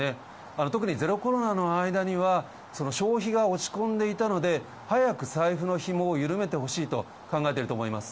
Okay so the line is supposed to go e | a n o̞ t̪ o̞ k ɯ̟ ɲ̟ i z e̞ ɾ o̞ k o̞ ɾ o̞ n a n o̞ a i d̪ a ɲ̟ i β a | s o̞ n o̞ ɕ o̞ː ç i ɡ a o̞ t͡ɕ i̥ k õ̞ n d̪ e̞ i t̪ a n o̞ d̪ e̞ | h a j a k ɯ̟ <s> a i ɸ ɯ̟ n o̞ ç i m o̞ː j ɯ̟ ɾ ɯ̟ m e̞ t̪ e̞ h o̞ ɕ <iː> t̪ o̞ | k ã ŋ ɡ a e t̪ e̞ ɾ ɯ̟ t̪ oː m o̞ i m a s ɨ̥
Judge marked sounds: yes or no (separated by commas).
yes, yes